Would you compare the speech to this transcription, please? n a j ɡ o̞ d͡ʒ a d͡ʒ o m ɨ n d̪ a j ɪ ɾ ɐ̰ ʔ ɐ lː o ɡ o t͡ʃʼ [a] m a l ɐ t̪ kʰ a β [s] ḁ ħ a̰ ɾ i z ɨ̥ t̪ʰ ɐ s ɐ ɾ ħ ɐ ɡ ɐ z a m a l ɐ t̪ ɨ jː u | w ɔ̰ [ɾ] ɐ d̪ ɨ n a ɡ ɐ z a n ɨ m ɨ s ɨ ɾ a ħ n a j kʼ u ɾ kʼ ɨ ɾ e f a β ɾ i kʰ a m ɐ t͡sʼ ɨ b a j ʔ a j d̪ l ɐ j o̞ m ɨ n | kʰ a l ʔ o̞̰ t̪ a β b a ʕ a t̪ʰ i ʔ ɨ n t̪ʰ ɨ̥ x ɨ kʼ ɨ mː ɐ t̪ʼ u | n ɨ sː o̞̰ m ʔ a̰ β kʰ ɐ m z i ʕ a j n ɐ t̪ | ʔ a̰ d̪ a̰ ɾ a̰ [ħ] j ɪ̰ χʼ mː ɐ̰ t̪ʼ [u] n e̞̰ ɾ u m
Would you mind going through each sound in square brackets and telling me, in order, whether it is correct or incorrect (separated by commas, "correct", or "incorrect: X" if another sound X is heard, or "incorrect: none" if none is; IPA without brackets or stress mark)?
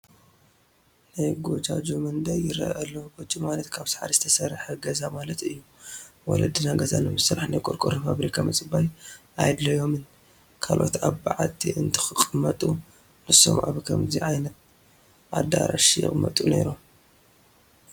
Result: incorrect: i, correct, incorrect: l, incorrect: ʃ, correct